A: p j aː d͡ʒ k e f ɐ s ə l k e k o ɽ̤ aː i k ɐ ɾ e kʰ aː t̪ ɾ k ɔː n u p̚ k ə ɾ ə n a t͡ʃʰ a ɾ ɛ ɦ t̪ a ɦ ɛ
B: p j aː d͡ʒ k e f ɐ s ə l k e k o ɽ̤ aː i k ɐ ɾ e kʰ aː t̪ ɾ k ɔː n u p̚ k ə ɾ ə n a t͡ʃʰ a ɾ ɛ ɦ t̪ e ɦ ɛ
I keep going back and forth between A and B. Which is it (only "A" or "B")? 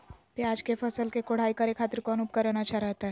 A